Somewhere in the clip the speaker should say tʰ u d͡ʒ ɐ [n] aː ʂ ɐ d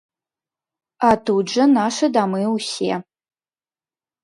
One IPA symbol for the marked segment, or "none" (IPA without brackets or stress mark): n